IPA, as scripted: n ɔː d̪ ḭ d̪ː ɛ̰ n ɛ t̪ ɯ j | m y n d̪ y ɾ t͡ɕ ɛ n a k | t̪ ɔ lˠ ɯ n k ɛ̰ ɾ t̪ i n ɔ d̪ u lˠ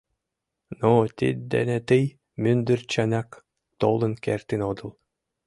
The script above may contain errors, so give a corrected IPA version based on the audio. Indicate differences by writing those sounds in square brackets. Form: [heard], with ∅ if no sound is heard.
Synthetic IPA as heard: n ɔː [t̪] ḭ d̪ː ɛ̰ n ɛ t̪ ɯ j | m y n d̪ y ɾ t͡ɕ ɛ n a k | t̪ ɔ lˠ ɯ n k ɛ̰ ɾ t̪ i n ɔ d̪ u lˠ